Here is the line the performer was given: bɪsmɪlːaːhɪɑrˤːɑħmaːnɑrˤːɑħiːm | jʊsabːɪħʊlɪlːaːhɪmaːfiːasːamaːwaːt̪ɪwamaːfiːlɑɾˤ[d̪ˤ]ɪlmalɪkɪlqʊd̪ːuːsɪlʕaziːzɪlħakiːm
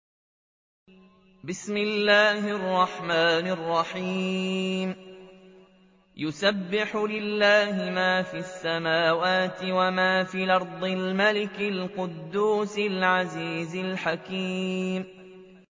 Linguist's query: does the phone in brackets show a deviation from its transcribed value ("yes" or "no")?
no